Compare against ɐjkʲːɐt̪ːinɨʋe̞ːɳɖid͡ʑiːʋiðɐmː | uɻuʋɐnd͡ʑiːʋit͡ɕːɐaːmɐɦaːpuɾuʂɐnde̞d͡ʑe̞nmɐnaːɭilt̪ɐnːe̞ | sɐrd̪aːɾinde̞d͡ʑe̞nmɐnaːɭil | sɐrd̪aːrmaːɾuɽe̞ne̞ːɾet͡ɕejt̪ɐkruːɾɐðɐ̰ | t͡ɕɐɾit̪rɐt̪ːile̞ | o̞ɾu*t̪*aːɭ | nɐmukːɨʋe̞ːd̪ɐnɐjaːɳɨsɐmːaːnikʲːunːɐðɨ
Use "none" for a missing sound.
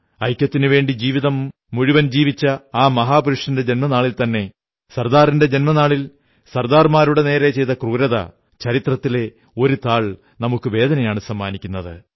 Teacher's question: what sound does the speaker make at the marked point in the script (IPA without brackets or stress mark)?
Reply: t̪